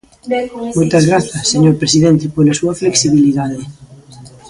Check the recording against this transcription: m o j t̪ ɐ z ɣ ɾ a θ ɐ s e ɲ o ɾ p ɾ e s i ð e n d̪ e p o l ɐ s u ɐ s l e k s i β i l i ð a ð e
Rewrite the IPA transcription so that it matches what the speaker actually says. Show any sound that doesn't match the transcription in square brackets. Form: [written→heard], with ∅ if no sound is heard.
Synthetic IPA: m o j t̪ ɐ z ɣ ɾ a θ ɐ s e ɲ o ɾ p ɾ e s i ð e n [d̪→t̪] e p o l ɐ s u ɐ [s→f] l e k s i β i l i ð a ð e

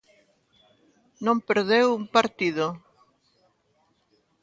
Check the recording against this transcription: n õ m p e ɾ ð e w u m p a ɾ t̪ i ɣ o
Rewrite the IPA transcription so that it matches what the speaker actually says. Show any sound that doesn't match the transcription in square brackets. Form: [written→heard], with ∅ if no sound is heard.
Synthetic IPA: n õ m p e ɾ ð e w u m p a ɾ t̪ i [ɣ→ð] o

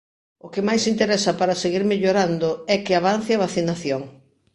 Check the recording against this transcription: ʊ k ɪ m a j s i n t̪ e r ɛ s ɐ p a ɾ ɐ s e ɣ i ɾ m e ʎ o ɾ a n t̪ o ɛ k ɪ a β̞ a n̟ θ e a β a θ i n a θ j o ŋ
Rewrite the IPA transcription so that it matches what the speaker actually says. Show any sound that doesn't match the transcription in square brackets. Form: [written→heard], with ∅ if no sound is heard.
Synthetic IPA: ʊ k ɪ m a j s i n t̪ e [r→ɾ] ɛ s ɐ p a ɾ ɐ s e ɣ i ɾ m e ʎ o ɾ a n [t̪→d̪] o ɛ k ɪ a β̞ a n̟ θ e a β a θ i n a θ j o ŋ

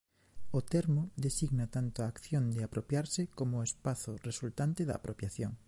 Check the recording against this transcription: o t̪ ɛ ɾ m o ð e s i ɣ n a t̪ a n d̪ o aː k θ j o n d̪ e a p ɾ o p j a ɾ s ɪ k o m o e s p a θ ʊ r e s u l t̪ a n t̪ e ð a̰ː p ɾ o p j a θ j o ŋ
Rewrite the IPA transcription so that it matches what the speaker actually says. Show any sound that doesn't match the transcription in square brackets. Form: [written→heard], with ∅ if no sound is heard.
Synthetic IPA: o t̪ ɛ ɾ m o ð e s i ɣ n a t̪ a n [d̪→t̪] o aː k θ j o n d̪ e a p ɾ o p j a ɾ s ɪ k o m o e s p a θ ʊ r e s u l t̪ a n t̪ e ð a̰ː p ɾ o p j a θ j o ŋ

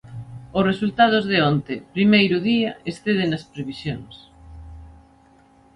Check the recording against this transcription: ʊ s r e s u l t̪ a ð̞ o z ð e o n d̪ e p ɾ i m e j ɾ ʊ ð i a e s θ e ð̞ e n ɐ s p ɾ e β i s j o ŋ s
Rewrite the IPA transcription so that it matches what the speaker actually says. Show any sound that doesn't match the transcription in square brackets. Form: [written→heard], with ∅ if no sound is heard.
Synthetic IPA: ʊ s r e s u l t̪ a ð̞ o z ð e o n [d̪→t̪] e p ɾ i m e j ɾ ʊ ð i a e s θ e ð̞ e n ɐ s p ɾ e β i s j o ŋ s

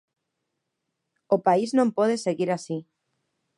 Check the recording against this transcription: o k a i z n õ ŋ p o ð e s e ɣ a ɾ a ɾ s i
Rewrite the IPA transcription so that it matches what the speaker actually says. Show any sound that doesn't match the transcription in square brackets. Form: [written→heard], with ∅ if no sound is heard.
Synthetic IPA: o [k→p] a i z n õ [ŋ→m] p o ð e s e ɣ [a→i] ɾ a [ɾ→∅] s i

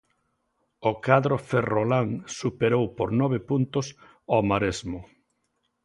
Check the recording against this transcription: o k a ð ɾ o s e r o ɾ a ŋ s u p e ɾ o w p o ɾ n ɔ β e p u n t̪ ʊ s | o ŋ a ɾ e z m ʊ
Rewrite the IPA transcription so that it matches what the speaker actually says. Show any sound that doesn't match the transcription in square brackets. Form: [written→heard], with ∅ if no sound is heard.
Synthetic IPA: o k a ð ɾ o [s→f] e r o [ɾ→l] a ŋ s u p e ɾ o w p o ɾ n ɔ β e p u n t̪ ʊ s | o [ŋ→m] a ɾ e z m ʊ

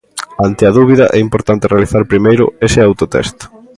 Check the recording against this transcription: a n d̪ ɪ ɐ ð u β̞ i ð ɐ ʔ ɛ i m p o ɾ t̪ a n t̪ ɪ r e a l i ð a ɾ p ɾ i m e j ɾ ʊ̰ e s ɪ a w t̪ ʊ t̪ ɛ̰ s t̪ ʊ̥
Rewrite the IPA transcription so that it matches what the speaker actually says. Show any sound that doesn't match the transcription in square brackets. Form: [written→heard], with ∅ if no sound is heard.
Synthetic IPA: a n [d̪→t̪] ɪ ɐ ð u β̞ i ð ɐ ʔ ɛ i m p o ɾ t̪ a n t̪ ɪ r e a l i [ð→θ] a ɾ p ɾ i m e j ɾ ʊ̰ e s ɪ a w t̪ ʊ t̪ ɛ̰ s t̪ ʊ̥

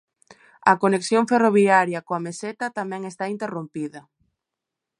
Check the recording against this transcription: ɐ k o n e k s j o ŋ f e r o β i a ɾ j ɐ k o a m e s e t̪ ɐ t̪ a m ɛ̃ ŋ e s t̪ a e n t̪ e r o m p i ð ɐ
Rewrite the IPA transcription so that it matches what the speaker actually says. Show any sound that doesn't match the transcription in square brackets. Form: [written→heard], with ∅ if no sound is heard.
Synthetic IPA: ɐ k o n e k s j o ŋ f e r o β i a ɾ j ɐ k o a m e s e t̪ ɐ t̪ a m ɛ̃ ŋ e s t̪ a [e→i] n t̪ e r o m p i ð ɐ

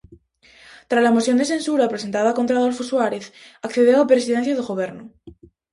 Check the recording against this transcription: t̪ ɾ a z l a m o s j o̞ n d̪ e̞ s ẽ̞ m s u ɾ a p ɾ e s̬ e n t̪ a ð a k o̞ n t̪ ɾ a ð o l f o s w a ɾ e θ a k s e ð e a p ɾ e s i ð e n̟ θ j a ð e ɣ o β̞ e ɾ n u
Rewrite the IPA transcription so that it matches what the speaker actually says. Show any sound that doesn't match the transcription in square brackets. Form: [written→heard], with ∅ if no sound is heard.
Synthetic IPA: t̪ ɾ a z l a m o s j o̞ n d̪ e̞ s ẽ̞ [m→n] s u ɾ a p ɾ e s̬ e n t̪ a ð a k o̞ n t̪ ɾ a ð o l f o s w a ɾ e θ a k [s→θ] e ð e a p ɾ e s i ð e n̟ θ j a ð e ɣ o β̞ e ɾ n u

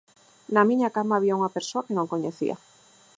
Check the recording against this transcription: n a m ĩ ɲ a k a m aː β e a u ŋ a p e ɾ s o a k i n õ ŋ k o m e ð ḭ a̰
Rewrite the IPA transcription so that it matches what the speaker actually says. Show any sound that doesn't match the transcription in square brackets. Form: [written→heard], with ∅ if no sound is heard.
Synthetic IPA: n a m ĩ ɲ a k a m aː β [e→i] a u ŋ a p e ɾ s o a k [i→e] n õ ŋ k o [m→ɲ] e [ð→θ] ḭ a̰

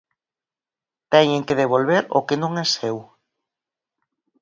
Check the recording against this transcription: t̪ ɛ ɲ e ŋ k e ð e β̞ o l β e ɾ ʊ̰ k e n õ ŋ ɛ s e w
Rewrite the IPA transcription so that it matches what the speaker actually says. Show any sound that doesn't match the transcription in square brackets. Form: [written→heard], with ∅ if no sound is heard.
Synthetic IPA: t̪ ɛ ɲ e ŋ k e ð e β̞ o l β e ɾ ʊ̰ k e n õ ŋ ɛ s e w

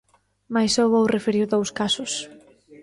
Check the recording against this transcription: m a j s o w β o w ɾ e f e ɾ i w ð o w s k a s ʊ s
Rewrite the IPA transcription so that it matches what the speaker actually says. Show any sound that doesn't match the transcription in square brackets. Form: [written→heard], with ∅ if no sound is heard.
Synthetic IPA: m a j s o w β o w [ɾ→r] e f e ɾ i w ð o w s k a s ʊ s

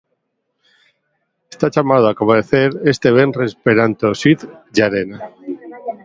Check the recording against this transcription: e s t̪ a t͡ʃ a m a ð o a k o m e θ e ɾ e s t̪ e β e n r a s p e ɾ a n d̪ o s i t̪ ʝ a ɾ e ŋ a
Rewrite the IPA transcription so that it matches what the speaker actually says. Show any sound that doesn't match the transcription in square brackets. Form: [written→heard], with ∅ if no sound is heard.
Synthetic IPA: e s t̪ a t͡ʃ a m a ð o a k o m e θ e ɾ e s t̪ e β e n r [a→e] s p e ɾ a n [d̪→t̪] o s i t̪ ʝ a ɾ e [ŋ→n] a

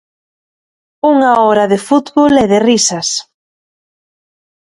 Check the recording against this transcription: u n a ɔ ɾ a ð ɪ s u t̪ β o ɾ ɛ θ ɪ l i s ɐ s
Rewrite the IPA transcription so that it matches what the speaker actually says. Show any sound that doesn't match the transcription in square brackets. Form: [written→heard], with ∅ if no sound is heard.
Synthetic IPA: u [n→ŋ] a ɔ ɾ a ð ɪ [s→f] u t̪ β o [ɾ→l] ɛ [θ→ð] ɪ [l→r] i s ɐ s

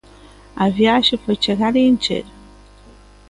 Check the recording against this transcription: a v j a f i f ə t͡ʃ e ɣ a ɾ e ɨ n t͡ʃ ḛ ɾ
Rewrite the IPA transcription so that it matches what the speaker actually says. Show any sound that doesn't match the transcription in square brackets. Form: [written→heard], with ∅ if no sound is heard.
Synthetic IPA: a v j a [f→ʃ] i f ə t͡ʃ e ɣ a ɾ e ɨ n t͡ʃ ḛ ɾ

